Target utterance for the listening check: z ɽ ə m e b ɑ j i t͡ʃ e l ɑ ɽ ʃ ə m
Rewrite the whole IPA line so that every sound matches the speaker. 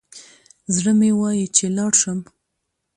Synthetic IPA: z ɽ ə m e w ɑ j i t͡ʃ e l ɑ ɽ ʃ ə m